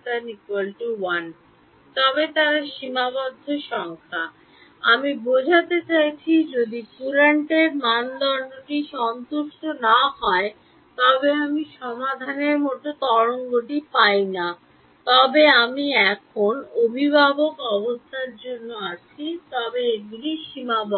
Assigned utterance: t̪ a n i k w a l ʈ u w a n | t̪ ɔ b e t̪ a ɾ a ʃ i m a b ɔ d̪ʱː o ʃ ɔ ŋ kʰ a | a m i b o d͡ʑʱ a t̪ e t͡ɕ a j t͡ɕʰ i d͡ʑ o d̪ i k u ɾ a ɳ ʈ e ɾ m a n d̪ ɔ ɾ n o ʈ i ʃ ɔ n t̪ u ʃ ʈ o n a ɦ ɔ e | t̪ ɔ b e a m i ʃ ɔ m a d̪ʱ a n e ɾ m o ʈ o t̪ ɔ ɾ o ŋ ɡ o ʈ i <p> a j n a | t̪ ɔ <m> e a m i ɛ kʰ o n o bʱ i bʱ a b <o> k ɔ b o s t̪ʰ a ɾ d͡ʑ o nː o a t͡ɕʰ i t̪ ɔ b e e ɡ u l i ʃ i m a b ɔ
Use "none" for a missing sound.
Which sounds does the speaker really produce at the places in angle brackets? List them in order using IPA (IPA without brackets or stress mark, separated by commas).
p, b, o